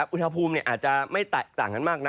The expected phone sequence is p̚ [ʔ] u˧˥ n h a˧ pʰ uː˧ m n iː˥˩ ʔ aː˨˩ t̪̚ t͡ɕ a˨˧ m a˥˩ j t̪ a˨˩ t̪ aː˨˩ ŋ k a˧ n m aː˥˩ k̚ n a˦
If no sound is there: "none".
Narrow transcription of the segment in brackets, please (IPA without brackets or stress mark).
ʔ